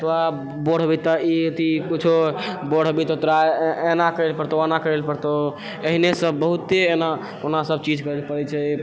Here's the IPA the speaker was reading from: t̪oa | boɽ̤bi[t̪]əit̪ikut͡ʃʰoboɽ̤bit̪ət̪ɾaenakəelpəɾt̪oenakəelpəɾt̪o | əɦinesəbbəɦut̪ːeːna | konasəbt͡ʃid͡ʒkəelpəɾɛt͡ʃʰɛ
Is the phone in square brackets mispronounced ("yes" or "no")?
no